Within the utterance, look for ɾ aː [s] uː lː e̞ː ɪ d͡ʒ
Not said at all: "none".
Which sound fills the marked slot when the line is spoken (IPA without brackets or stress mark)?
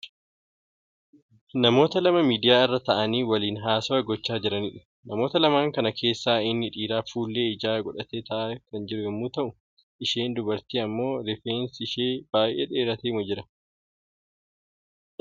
f